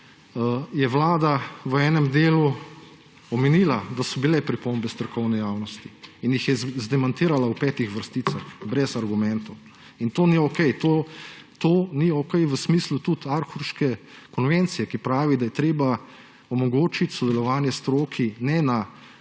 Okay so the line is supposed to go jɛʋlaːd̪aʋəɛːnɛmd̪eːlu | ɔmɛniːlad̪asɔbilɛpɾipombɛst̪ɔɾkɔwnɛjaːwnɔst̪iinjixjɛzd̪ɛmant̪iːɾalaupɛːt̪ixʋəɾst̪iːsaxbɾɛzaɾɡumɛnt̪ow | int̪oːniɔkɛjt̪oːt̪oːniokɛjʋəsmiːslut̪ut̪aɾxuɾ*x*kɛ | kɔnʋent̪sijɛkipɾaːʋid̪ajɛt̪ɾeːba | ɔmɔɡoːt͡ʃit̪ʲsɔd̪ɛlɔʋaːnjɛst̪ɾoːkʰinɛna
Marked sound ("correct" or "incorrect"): incorrect